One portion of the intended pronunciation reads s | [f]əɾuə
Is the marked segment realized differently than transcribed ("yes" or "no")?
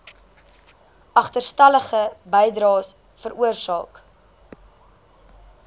no